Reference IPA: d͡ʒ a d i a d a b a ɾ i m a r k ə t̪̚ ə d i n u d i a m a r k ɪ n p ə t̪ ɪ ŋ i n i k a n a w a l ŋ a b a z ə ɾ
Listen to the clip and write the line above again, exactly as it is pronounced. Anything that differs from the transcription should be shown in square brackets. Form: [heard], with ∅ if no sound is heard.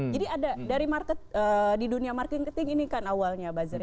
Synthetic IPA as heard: d͡ʒ a d i a d a [d] a ɾ i m a r k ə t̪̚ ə d i [d] u [n] i a m a r k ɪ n [k] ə t̪ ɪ ŋ i n i k a n a w a l [ɲ] a b a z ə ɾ